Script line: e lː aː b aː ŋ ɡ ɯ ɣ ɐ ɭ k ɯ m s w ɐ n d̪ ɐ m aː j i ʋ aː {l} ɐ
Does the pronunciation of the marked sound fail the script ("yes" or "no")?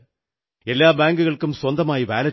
no